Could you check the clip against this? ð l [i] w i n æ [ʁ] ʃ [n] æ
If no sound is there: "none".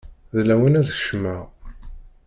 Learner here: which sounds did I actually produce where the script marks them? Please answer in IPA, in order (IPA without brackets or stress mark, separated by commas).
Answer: æ, ð, m